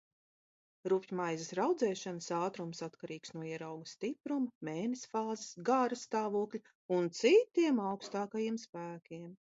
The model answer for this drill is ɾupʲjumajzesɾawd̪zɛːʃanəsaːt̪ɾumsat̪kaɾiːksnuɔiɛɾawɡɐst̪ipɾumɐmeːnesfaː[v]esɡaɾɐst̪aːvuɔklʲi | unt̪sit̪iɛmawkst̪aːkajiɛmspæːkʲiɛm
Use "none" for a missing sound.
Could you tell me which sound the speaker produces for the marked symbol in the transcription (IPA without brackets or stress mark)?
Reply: z